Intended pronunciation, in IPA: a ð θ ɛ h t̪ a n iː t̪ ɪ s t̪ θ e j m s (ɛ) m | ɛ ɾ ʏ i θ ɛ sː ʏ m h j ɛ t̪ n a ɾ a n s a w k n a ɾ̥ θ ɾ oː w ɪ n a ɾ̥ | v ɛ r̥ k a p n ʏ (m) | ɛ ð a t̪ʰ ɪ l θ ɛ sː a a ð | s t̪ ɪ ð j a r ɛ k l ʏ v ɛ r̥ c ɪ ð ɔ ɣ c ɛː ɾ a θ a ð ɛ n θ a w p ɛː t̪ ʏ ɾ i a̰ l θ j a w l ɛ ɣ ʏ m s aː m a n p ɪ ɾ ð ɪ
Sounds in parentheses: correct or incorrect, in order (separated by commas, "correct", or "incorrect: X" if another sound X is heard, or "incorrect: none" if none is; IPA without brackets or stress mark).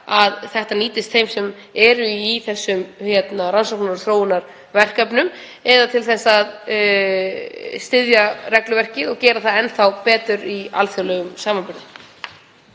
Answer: correct, correct